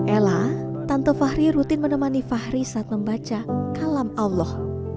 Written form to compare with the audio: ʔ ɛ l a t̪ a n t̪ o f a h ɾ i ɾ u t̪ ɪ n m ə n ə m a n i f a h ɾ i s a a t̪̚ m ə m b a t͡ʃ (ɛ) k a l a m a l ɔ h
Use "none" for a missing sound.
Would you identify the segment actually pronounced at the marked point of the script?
a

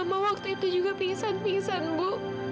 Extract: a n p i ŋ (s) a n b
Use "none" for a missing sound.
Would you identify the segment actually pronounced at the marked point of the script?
s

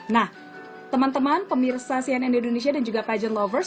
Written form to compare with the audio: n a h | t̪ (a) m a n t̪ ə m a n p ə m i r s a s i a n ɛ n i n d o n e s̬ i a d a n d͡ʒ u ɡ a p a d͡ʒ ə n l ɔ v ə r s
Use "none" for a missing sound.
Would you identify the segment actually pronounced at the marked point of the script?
ə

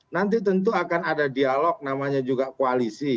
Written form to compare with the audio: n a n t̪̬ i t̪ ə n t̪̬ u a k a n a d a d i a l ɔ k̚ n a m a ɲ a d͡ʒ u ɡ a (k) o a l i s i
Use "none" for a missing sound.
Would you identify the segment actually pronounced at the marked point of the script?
k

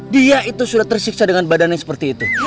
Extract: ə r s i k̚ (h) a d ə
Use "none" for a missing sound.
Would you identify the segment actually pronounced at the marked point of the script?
s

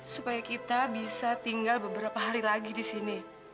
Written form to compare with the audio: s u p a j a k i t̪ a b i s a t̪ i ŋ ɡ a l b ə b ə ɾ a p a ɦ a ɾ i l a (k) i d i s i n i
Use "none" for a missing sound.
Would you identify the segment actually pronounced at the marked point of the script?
ɡ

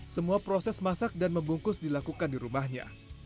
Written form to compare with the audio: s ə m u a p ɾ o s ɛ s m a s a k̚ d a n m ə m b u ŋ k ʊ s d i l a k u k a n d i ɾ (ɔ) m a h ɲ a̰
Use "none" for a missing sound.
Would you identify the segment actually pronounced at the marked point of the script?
u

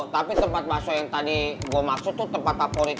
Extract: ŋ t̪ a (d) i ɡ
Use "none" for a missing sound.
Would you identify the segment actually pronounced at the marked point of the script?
d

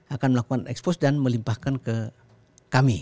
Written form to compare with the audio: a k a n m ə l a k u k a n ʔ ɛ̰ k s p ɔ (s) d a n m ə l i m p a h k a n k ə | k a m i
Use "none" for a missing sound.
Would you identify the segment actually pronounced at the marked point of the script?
s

